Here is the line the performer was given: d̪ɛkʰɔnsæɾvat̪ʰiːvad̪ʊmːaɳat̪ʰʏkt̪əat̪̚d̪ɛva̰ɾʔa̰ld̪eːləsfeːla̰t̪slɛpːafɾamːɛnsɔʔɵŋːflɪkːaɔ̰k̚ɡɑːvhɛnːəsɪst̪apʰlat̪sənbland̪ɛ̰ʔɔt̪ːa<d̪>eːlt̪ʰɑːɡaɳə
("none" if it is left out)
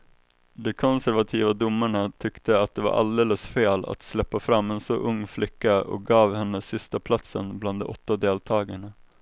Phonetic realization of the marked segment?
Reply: d̪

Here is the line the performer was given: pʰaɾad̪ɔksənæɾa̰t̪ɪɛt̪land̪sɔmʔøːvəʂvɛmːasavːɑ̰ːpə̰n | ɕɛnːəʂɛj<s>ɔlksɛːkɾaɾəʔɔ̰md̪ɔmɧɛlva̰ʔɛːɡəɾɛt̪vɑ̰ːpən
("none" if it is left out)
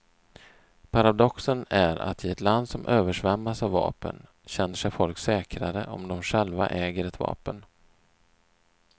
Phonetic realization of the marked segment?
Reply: f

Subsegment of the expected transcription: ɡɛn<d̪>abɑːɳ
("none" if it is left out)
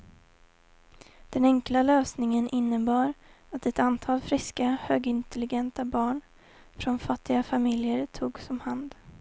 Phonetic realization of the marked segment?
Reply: t̪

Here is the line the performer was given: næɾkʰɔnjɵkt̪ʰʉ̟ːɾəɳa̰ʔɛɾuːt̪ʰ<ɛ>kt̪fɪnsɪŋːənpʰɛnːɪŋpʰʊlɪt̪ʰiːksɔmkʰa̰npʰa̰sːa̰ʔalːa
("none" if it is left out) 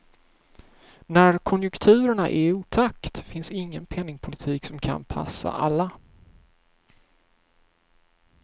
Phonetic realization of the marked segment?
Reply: a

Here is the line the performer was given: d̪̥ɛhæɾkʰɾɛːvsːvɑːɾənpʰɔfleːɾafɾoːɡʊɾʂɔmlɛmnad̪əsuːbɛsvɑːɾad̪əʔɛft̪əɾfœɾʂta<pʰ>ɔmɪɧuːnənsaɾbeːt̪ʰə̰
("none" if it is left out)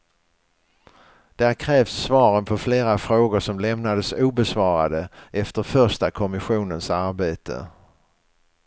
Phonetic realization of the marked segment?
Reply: kʰ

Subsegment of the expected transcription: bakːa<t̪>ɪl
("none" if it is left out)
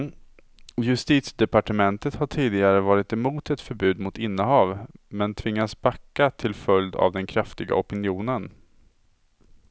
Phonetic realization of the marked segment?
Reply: t̪ʰ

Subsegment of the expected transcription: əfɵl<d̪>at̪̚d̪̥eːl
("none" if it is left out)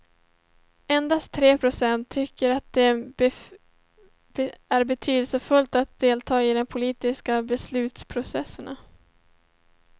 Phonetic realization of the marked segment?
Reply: t̪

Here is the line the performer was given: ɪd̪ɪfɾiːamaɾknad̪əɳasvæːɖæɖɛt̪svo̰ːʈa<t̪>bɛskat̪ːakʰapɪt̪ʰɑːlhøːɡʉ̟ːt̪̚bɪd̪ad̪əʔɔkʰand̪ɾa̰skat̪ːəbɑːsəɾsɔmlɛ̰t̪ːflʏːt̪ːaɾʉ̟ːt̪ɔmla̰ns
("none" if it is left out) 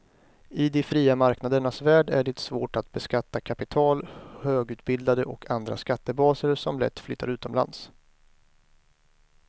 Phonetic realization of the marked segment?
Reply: t̪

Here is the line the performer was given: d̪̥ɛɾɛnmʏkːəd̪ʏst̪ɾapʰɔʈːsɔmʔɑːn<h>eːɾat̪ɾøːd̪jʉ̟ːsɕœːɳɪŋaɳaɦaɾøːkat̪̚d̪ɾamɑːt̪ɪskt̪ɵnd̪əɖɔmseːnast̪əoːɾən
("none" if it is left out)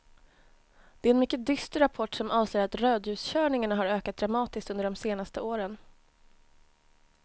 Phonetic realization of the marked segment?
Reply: s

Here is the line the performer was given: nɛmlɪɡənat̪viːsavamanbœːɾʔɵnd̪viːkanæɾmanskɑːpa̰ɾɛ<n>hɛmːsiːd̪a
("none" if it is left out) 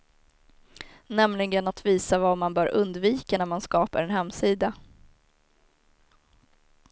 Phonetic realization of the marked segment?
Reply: n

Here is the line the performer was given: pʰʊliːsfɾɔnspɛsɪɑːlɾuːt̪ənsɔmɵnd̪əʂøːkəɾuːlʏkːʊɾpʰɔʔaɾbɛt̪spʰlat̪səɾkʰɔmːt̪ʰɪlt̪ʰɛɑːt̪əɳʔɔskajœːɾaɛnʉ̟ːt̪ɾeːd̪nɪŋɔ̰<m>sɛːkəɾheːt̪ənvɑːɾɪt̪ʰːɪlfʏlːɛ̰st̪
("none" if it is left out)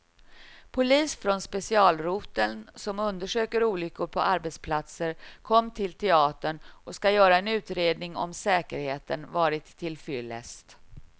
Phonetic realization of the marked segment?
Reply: m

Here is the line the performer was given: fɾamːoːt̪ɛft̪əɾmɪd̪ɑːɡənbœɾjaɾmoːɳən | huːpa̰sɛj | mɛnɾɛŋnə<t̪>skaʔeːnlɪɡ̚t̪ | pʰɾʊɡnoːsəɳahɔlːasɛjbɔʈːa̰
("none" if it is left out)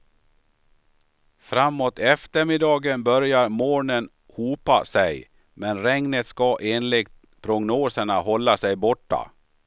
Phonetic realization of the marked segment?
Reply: t̪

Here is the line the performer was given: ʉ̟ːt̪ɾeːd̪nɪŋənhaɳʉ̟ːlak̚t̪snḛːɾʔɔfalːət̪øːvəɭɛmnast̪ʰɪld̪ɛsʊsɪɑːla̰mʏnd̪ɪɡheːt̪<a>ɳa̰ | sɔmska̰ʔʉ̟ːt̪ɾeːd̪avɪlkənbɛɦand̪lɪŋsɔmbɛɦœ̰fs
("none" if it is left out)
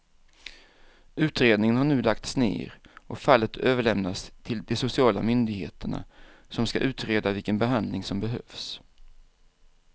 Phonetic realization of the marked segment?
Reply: ə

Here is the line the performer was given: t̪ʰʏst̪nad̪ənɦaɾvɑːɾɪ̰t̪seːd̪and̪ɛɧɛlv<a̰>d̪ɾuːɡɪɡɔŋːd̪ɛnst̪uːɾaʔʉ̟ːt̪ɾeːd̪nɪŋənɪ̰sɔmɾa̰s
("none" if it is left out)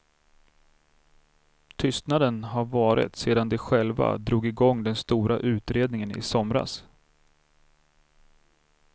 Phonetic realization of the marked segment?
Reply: a̰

